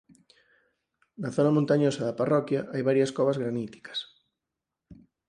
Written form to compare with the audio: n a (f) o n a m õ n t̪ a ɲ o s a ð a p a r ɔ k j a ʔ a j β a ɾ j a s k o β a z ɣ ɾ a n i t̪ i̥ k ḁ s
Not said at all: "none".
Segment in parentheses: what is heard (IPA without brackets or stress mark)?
θ